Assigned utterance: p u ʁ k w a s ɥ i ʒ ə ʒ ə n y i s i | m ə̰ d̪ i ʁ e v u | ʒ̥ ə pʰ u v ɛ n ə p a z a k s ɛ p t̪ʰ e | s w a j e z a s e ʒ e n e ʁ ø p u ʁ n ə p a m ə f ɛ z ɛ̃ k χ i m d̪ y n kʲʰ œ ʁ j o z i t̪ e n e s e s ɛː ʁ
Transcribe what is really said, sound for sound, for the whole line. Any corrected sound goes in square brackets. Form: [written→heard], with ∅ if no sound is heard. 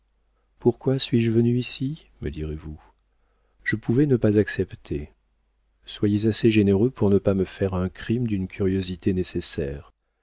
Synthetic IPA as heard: p u ʁ k w a s ɥ i ʒ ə [ʒ→v] ə n y i s i | m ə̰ d̪ i ʁ e v u | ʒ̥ ə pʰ u v ɛ n ə p a z a k s ɛ p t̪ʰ e | s w a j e z a s e ʒ e n e ʁ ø p u ʁ n ə p a m ə f ɛ [z→ʁ] ɛ̃ k χ i m d̪ y n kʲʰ [œ→y] ʁ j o z i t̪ e n e s e s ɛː ʁ